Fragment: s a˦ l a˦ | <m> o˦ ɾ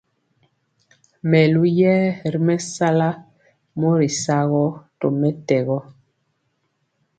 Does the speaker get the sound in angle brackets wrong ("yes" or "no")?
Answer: no